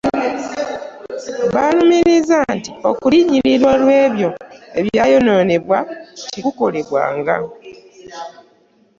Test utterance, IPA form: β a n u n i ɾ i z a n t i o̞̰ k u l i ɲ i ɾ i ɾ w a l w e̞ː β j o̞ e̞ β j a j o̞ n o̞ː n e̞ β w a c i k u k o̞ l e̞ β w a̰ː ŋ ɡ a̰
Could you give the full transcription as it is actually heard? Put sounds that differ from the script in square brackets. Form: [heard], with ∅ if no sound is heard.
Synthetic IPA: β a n u [m] i ɾ i z a n t i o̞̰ k u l i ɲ i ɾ i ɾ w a l w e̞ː β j o̞ e̞ β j a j o̞ n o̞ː n e̞ β w a c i k u k o̞ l e̞ β w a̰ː ŋ ɡ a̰